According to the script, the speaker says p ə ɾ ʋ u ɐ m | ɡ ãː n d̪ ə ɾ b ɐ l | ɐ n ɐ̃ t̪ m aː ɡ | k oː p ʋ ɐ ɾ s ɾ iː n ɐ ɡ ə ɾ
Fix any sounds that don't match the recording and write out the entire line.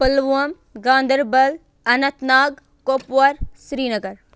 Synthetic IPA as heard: p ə l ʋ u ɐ m | ɡ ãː n d̪ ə ɾ b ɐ l | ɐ n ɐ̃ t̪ n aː ɡ | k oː p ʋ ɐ ɾ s ɾ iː n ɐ ɡ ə ɾ